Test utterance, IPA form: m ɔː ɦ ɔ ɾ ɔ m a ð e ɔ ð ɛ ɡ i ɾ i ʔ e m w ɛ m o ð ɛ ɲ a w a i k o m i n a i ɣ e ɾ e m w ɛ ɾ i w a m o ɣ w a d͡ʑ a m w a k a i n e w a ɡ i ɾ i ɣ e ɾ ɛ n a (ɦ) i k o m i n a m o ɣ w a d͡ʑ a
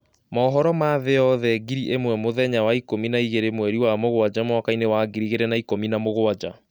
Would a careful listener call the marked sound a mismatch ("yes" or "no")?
yes